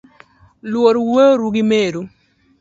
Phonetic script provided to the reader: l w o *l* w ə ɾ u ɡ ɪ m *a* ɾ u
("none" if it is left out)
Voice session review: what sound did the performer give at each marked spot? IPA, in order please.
ɾ, e

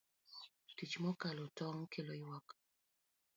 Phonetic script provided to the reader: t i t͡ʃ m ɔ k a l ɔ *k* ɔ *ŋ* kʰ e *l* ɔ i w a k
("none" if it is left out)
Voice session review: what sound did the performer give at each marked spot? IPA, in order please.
t, ŋ, l

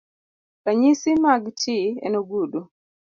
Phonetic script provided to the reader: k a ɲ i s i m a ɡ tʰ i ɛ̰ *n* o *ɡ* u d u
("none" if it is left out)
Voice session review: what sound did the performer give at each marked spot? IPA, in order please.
n, ɡ

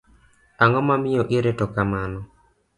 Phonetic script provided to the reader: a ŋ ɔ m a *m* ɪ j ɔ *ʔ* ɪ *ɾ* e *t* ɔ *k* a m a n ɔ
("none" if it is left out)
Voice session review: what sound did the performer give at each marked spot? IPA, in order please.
m, ʔ, ɾ, t, k

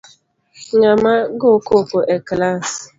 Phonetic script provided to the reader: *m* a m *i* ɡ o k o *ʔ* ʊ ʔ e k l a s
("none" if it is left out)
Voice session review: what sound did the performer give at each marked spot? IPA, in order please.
ɲ, a, k

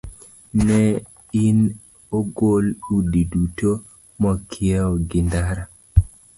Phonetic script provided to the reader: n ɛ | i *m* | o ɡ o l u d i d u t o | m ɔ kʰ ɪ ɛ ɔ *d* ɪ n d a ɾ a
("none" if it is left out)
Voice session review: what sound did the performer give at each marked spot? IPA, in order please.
n, ɡ

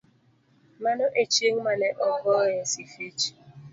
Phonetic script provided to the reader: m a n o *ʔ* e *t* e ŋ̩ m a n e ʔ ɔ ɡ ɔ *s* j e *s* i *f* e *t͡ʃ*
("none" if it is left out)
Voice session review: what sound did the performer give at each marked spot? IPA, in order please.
ʔ, t͡ʃ, none, s, f, t͡ʃ

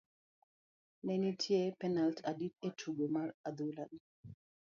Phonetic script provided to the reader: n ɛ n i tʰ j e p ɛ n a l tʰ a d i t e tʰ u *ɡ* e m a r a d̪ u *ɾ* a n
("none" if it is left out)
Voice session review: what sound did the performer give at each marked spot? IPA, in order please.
ɡ, l

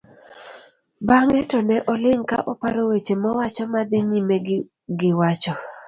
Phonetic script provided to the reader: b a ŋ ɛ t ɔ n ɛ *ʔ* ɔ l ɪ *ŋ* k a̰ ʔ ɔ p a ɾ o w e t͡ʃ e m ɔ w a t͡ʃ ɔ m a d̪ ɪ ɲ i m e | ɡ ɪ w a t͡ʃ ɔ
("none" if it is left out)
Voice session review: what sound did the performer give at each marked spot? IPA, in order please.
ʔ, ŋ

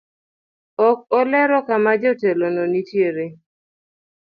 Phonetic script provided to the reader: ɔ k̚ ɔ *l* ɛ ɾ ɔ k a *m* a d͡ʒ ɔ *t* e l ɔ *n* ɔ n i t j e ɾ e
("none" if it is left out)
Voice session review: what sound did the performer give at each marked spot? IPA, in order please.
l, m, t, n

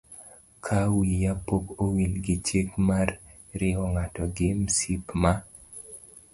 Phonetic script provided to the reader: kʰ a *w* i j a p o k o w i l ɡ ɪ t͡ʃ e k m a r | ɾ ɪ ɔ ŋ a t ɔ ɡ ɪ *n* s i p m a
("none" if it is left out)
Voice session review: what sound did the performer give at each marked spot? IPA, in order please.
w, m

